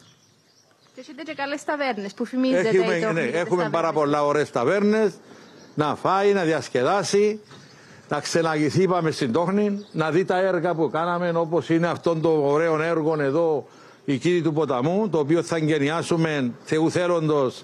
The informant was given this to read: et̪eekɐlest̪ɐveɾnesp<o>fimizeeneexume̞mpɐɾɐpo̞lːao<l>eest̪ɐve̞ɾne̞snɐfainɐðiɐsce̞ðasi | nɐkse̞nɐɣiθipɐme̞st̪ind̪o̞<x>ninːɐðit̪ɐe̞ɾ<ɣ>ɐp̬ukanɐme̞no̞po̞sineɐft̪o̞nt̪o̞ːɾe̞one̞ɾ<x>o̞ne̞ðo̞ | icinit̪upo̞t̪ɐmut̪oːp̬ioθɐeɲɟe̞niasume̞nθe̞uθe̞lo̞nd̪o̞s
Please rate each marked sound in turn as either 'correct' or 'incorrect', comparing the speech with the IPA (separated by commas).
incorrect, incorrect, correct, correct, incorrect